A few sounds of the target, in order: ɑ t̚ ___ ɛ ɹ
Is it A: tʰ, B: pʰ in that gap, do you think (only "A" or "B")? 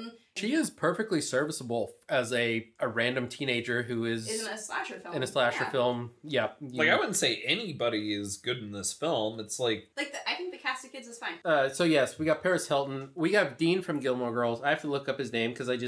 B